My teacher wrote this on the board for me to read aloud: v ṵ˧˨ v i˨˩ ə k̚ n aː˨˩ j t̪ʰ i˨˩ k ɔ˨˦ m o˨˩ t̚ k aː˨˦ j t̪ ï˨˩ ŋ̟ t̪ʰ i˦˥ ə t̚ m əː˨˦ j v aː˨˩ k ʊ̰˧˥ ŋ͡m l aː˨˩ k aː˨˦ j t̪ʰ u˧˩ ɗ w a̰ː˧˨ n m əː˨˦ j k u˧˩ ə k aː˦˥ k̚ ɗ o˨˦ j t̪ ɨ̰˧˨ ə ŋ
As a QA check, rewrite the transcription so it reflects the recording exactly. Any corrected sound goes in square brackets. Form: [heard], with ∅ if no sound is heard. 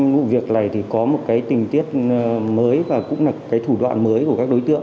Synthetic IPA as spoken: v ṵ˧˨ v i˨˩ ə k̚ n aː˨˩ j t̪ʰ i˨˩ k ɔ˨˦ m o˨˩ t̚ k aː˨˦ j t̪ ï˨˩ ŋ̟ [t̪] i˦˥ ə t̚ m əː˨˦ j v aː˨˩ k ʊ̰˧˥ ŋ͡m l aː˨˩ k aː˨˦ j t̪ʰ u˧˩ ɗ w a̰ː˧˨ n m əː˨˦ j k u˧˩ ə k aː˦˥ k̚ ɗ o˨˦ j t̪ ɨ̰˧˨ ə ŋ